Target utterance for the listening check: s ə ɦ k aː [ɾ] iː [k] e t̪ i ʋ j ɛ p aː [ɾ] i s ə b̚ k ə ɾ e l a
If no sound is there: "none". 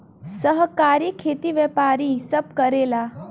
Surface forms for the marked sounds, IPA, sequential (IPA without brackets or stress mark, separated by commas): ɾ, kʰ, ɾ